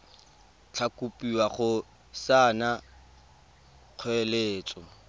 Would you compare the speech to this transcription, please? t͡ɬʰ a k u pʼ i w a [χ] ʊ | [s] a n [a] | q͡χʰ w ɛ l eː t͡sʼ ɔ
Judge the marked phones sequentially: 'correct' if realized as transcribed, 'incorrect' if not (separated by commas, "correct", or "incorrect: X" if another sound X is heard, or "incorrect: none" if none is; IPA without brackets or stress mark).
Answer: correct, correct, correct